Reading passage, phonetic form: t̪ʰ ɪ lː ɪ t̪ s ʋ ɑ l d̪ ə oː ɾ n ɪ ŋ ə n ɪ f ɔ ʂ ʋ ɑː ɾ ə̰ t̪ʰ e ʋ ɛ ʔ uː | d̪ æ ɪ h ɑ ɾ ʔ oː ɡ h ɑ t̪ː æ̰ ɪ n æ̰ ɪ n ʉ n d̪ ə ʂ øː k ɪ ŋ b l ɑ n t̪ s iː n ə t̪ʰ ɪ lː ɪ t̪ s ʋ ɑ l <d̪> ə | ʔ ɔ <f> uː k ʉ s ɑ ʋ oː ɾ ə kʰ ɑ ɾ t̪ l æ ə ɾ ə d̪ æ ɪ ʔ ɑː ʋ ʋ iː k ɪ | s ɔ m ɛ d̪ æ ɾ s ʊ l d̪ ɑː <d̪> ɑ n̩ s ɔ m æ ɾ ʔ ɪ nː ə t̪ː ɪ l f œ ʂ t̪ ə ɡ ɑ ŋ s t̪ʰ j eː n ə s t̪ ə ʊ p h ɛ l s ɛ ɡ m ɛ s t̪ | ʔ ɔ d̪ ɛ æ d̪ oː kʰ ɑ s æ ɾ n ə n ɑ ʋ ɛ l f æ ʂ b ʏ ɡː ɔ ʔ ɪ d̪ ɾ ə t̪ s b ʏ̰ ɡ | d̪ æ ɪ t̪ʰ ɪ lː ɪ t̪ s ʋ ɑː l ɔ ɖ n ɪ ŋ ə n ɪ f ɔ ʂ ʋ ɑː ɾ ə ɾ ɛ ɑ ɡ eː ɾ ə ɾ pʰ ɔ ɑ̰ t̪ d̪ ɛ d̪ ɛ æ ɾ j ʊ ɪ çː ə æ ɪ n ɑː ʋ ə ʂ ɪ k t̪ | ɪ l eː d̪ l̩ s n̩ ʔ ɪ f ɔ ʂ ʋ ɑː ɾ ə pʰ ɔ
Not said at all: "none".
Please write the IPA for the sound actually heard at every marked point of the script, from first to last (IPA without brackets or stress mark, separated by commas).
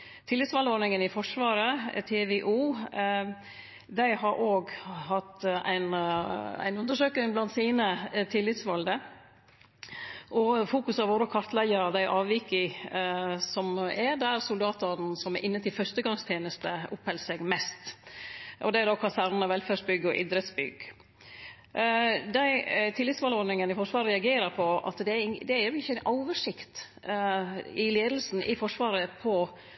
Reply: d̪, f, t̪